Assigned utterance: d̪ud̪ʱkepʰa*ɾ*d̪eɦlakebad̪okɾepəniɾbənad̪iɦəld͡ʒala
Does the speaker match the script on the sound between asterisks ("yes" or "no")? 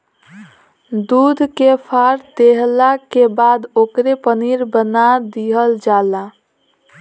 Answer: yes